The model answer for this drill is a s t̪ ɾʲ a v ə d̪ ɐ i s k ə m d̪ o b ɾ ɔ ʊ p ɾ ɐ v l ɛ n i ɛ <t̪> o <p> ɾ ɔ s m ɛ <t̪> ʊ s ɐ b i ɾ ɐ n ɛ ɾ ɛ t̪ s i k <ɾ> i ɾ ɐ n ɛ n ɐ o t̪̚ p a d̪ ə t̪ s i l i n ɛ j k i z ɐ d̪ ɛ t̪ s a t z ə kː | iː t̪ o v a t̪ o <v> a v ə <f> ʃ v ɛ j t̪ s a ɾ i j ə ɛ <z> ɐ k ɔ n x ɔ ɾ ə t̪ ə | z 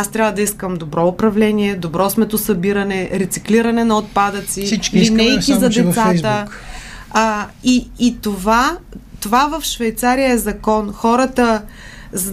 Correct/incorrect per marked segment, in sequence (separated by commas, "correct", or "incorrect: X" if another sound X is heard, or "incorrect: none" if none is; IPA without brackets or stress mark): incorrect: d̪, incorrect: b, correct, incorrect: l, correct, correct, correct